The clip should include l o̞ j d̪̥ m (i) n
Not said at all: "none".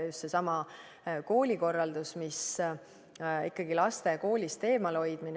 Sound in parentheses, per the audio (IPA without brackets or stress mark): i